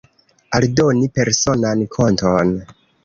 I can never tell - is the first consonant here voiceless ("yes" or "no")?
no